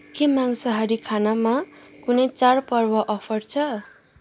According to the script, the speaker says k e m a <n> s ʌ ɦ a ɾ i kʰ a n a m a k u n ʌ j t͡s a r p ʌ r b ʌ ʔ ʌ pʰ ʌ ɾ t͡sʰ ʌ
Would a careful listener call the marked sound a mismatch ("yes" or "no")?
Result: yes